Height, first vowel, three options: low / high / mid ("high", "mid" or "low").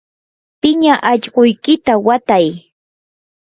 high